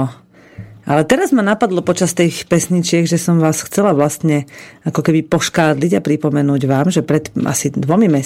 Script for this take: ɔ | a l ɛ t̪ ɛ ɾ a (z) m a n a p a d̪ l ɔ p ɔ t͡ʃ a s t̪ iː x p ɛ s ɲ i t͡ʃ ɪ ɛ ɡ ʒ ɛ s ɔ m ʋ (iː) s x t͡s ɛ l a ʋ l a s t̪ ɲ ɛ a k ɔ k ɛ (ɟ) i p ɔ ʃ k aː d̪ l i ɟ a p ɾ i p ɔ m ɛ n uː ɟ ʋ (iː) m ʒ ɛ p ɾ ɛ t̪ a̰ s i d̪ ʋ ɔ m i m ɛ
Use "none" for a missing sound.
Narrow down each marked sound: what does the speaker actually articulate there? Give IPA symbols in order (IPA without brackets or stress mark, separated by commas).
z, aː, b, aː